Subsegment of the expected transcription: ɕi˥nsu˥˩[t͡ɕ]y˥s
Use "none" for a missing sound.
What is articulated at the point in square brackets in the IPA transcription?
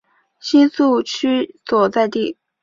t͡ɕʰ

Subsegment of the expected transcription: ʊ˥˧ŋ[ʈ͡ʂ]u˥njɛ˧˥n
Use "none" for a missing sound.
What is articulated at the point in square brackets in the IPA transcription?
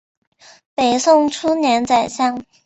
ʈ͡ʂʰ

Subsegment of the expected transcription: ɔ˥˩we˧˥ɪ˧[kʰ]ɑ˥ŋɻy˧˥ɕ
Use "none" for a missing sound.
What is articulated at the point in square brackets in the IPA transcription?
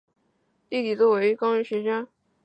k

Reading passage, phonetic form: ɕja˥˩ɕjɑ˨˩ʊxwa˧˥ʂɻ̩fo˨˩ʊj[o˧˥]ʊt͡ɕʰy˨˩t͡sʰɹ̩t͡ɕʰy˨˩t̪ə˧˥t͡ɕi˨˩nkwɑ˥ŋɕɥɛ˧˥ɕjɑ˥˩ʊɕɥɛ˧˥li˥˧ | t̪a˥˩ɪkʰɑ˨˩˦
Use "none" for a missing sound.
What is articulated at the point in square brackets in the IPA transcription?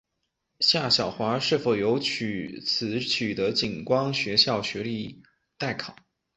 o˧˥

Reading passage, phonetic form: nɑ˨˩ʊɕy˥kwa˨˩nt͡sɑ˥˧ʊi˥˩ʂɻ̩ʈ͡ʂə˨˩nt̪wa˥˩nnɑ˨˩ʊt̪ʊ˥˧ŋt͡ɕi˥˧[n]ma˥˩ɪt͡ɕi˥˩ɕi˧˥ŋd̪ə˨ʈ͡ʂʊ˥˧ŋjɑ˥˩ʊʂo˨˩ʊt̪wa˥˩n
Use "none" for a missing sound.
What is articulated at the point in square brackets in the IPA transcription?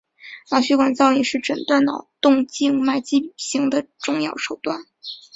ŋ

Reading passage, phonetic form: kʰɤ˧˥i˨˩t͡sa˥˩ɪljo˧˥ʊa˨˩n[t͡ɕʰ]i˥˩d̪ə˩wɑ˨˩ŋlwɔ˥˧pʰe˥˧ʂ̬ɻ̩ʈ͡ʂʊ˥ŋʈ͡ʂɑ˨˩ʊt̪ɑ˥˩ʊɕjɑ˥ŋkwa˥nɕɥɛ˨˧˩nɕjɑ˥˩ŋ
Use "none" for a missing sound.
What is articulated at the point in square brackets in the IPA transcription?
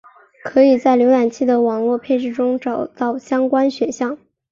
t͡ɕʰ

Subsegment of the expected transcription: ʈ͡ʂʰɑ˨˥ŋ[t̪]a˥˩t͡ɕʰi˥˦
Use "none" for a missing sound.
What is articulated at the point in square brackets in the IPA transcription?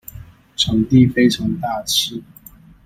t̪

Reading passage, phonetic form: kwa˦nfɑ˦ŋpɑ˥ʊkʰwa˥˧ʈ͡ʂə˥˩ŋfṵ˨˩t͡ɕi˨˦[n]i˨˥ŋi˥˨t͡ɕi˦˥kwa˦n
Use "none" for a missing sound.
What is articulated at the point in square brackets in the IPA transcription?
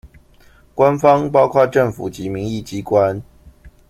m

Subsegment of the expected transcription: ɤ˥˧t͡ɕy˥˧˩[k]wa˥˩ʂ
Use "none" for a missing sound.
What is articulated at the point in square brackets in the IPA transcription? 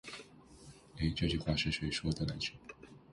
x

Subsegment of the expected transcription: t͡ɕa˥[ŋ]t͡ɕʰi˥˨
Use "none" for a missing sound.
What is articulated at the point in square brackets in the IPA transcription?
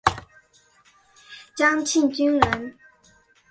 ŋ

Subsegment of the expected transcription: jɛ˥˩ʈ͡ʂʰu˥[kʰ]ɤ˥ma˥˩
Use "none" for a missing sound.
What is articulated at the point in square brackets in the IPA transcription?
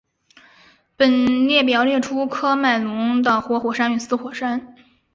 kʰ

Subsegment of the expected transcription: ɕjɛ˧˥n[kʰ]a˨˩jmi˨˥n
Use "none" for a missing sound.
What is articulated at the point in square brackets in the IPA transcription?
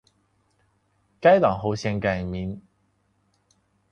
k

